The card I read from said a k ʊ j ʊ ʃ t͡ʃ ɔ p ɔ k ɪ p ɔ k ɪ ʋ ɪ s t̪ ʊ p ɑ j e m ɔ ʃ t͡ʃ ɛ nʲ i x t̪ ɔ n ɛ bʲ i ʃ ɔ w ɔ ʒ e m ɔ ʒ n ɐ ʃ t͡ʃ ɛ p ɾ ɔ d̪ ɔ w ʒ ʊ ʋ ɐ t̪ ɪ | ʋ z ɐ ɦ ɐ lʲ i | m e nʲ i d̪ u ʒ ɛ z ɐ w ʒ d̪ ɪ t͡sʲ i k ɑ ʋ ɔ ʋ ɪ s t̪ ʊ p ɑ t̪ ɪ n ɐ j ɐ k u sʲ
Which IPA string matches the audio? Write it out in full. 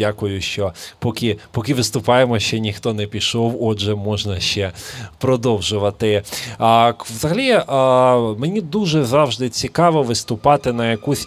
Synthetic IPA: a k ʊ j ʊ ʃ t͡ʃ ɔ p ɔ k ɪ p ɔ k ɪ ʋ ɪ s t̪ ʊ p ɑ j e m ɔ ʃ t͡ʃ ɛ nʲ i x t̪ ɔ n ɛ pʲ i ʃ ɔ w ɔ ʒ ɛ m ɔ ʒ n ɐ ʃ t͡ʃ ɛ p ɾ ɔ d̪ ɔ w ʒ ʊ ʋ ɐ t̪ ɪ | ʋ z ɐ ɦ ɐ lʲ i | m e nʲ i d̪ u ʒ ɛ z ɑ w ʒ d̪ ɪ t͡sʲ i k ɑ ʋ ɔ ʋ ɪ s t̪ ʊ p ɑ t̪ ɪ n ɐ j ɐ k u sʲ